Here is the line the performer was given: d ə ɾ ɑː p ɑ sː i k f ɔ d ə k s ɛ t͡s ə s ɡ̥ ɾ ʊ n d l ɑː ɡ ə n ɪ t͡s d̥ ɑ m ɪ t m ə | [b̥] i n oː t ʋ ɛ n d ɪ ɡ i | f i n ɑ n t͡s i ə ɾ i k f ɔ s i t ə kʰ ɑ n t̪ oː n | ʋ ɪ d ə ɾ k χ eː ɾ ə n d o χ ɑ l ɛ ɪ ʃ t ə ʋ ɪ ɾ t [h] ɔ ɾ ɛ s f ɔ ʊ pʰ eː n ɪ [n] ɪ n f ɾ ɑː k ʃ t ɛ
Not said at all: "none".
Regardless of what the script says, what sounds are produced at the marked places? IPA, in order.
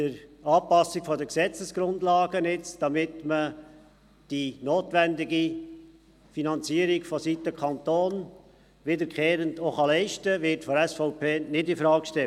d̥, f, d

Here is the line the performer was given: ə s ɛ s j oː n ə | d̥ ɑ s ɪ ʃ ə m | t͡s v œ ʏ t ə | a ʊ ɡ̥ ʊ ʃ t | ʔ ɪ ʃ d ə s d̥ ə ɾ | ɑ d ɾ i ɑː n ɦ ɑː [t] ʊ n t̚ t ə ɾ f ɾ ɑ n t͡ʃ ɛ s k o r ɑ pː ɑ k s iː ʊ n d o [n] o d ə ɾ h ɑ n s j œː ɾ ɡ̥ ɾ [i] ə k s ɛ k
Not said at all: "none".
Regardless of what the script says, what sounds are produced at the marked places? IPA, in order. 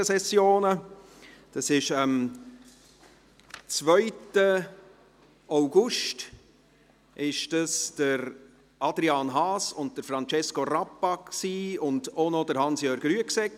s, n, y

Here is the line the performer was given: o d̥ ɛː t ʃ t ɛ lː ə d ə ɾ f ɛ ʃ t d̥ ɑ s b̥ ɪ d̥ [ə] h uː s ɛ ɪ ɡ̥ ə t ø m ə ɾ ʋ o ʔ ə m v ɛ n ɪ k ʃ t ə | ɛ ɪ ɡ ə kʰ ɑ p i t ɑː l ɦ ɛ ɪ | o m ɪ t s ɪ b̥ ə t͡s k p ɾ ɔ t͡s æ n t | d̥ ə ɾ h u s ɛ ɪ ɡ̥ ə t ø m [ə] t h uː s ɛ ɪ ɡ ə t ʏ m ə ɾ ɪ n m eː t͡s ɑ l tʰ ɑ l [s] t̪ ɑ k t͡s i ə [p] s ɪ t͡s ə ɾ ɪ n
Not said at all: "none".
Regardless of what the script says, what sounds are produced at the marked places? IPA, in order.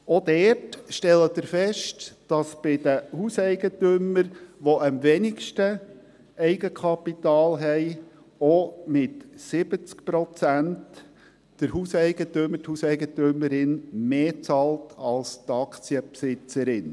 ə, ə, s, p

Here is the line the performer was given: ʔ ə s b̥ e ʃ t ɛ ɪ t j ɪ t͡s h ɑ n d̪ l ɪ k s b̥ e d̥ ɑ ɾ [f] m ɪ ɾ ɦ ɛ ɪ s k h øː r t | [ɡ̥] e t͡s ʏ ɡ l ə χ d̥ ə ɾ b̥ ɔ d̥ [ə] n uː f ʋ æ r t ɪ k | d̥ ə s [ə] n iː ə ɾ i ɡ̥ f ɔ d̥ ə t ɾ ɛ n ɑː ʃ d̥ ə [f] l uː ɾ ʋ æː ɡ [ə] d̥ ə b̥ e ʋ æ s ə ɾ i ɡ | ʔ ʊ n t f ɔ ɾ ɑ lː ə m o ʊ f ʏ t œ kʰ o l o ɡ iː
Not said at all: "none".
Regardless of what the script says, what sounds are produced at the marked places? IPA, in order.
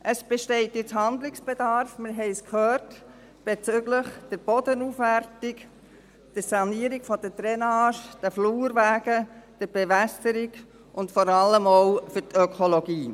f, b̥, ə, ɑ, f, ə

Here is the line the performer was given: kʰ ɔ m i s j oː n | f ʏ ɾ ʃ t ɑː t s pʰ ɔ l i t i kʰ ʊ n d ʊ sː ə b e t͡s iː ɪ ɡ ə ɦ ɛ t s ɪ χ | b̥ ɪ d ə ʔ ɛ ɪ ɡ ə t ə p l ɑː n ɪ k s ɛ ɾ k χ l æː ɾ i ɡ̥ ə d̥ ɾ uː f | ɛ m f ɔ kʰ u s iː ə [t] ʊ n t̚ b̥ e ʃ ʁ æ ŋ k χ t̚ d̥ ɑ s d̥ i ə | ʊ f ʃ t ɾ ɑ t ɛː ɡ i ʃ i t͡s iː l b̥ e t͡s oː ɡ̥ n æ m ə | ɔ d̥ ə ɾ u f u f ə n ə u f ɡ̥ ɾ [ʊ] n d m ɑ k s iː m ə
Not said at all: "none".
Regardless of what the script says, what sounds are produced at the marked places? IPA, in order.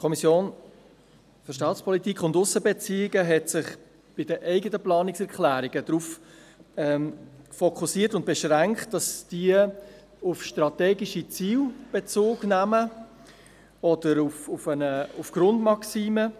t, ʊ

